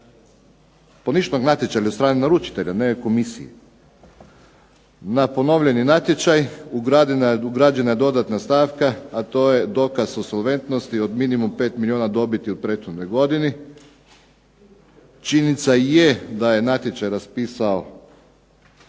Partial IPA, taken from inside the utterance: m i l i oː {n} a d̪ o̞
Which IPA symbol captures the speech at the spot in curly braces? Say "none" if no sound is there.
n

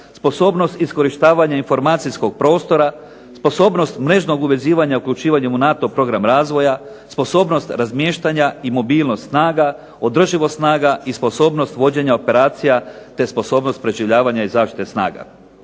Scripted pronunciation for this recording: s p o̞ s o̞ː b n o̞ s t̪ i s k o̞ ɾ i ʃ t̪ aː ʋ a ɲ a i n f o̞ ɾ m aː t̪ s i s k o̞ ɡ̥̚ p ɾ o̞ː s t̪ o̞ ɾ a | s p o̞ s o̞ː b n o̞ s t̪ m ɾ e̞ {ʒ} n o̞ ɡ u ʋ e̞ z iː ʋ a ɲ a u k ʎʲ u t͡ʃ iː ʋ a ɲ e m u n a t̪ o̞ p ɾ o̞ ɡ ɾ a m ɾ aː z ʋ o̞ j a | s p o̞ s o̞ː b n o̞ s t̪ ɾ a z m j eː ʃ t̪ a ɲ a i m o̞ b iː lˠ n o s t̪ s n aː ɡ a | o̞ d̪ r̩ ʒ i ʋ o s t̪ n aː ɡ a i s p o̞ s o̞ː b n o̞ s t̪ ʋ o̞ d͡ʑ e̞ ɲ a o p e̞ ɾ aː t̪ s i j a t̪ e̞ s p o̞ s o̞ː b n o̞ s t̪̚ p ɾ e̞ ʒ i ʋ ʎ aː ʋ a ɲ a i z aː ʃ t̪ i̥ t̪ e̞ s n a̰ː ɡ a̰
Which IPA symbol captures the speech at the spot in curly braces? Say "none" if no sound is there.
ʒ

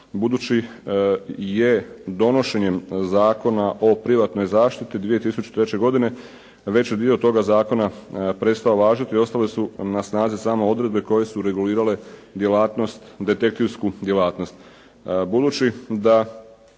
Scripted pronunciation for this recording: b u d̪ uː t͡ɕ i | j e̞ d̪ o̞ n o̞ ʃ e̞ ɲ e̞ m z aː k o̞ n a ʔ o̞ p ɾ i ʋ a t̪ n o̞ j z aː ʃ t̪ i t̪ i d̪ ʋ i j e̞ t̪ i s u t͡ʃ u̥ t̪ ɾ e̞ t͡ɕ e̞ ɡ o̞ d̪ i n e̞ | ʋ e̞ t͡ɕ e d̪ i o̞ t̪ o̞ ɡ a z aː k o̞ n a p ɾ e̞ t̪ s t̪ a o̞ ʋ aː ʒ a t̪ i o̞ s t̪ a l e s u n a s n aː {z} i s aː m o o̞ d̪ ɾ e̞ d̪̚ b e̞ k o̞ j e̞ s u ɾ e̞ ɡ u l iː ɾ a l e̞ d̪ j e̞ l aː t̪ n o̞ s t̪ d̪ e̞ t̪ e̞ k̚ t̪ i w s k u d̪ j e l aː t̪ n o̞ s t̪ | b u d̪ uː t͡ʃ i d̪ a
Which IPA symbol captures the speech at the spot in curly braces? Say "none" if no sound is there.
z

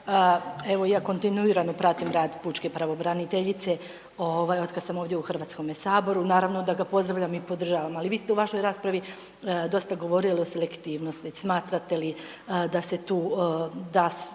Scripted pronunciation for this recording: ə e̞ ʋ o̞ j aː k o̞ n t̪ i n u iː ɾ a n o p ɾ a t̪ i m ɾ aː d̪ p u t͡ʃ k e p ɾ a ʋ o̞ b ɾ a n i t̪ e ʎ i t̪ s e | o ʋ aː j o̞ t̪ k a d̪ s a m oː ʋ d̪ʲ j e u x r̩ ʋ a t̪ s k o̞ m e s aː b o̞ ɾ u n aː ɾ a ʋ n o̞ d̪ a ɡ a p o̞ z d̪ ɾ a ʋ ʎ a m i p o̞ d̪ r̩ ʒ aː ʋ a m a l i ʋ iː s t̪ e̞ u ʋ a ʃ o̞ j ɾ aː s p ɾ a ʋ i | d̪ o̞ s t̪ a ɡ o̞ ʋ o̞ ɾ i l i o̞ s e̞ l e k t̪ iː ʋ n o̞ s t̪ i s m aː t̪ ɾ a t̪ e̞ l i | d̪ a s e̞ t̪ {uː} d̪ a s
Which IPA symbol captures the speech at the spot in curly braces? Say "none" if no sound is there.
uː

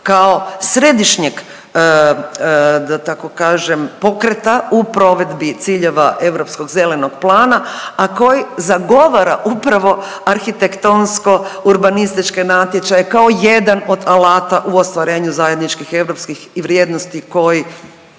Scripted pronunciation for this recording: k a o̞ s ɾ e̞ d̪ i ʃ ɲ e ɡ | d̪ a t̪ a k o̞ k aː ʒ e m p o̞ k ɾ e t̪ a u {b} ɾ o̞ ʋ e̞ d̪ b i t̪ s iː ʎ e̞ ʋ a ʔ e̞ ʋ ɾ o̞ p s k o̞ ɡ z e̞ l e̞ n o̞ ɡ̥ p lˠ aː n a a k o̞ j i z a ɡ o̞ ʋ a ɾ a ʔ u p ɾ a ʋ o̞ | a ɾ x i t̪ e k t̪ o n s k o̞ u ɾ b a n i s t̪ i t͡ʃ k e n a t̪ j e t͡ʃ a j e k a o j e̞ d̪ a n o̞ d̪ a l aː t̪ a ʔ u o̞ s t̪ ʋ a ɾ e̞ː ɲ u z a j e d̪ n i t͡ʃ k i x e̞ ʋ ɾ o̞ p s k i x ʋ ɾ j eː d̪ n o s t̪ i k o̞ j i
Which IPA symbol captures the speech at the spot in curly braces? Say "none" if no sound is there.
p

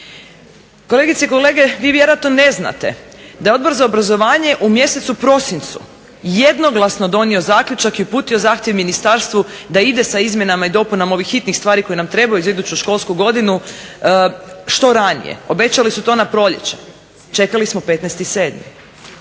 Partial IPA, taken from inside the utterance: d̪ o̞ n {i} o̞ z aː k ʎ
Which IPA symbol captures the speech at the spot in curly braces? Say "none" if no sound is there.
i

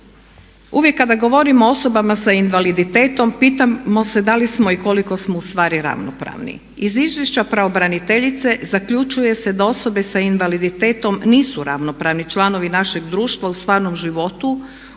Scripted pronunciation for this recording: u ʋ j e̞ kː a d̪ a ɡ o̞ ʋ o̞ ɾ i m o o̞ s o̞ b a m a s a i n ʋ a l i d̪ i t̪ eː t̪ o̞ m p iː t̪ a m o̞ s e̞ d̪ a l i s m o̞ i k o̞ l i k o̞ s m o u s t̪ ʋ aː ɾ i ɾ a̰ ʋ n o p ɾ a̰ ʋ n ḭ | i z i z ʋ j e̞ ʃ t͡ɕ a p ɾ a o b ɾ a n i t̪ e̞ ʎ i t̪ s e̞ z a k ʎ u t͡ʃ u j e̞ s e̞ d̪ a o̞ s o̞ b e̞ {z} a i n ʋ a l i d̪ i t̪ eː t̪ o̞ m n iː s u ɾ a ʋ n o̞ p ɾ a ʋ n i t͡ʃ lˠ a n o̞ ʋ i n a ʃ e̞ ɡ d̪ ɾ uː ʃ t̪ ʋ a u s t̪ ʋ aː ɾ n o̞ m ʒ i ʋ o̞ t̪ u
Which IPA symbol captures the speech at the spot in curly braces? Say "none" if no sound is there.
s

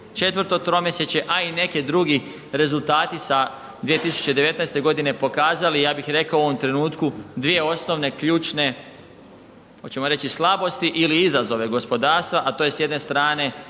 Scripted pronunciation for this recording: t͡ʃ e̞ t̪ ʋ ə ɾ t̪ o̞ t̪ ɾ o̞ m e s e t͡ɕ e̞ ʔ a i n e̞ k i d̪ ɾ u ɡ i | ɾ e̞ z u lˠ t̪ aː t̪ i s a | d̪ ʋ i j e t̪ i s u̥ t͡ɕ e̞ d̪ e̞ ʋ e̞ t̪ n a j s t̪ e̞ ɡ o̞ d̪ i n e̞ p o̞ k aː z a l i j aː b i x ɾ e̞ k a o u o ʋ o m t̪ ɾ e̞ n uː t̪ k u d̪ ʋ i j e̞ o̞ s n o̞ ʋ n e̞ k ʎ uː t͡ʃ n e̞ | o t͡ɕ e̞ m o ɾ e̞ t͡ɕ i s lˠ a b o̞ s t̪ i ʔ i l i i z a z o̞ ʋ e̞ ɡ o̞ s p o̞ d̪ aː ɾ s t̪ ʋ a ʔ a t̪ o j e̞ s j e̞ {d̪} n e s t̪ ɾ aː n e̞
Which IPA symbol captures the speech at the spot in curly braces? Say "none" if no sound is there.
d̪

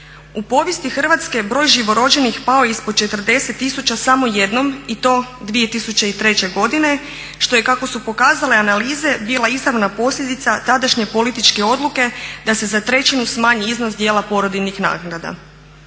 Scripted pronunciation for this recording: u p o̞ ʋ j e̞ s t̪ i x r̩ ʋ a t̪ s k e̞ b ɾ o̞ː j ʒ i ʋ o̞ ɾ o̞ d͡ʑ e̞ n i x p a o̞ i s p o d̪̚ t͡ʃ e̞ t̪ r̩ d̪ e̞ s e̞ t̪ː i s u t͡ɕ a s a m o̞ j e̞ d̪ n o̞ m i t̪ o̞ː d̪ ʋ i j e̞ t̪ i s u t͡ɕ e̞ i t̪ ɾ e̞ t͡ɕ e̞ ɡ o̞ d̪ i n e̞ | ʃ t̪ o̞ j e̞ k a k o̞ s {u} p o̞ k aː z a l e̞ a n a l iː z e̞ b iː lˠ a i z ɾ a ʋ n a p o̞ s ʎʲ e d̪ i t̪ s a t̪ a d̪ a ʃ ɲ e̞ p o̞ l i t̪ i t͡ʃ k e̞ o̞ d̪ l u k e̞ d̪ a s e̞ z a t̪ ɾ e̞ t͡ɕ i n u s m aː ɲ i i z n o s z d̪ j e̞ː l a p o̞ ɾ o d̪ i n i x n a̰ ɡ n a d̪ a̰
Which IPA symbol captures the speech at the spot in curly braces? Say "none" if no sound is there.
u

